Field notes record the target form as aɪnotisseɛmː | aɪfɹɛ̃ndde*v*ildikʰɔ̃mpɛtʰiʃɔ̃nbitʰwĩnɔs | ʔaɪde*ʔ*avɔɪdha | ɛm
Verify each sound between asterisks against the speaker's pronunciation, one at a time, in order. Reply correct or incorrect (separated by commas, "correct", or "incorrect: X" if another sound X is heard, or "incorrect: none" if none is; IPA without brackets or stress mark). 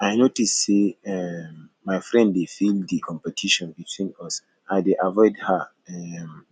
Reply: incorrect: f, correct